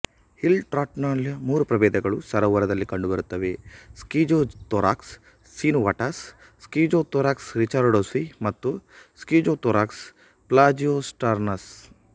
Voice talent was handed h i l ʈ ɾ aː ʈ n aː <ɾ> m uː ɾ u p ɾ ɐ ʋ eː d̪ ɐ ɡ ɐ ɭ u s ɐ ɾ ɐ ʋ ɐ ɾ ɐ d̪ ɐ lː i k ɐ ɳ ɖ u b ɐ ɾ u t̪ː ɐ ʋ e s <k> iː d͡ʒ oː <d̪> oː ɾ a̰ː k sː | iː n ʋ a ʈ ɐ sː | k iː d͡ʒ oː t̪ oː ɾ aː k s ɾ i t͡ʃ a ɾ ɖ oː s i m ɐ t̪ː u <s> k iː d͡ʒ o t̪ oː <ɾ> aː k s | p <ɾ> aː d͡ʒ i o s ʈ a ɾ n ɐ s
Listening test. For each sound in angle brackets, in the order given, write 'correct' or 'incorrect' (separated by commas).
incorrect, correct, incorrect, correct, correct, incorrect